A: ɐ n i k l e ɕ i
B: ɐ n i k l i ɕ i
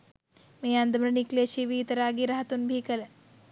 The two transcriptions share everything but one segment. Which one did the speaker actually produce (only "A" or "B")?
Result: A